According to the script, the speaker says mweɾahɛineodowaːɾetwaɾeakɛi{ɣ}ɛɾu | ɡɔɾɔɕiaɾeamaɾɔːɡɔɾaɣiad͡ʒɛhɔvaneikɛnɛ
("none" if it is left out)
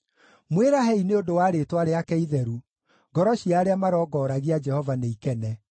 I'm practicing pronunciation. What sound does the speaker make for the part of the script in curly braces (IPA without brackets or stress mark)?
ð